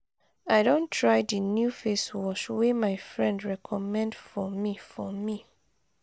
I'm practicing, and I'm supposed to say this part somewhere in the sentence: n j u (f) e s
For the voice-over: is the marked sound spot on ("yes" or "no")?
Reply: yes